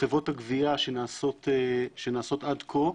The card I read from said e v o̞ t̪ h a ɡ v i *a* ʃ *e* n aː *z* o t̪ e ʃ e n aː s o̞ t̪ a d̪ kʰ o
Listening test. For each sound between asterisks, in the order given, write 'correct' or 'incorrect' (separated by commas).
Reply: correct, correct, incorrect